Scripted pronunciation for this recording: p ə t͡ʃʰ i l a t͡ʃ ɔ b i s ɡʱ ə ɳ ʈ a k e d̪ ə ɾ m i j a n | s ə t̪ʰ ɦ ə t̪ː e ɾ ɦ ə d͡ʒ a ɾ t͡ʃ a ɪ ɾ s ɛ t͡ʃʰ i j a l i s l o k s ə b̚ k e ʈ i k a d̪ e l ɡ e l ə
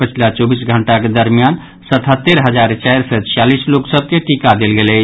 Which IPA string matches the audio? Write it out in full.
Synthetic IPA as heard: p ə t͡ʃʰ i l a t͡ʃ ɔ b i s ɡʱ ə ɳ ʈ a k e d̪ ə ɾ m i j a n | s ə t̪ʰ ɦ ə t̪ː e ɾ ɦ ə d͡ʒ a ɾ t͡ʃ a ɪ ɾ s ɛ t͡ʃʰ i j a l i s l o k s ə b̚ k e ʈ i k a d̪ e l ɡ e l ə